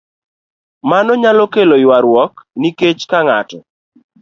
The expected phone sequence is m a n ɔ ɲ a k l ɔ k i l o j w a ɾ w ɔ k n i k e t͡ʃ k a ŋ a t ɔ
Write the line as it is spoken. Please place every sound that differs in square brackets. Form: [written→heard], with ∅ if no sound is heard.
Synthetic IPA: m a n ɔ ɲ a [k→∅] l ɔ k [i→e] l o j w a ɾ w ɔ k n i k e t͡ʃ k a ŋ a t ɔ